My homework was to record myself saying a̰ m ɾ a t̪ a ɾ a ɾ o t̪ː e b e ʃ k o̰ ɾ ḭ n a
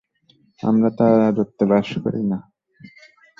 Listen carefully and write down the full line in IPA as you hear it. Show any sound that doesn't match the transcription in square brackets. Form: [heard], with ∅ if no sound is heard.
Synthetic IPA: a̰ m ɾ a t̪ a ɾ a ɾ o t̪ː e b [a] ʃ k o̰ ɾ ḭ n a